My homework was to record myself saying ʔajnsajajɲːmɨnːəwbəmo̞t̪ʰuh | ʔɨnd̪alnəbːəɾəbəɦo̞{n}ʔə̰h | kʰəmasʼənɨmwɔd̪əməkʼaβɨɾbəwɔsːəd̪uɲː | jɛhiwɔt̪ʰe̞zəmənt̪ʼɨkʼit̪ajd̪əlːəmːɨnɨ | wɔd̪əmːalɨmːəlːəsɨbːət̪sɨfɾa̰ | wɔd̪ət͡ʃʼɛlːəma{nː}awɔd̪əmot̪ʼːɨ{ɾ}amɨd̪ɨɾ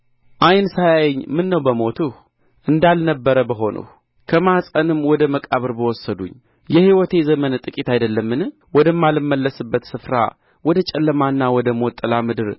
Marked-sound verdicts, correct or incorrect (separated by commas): correct, correct, incorrect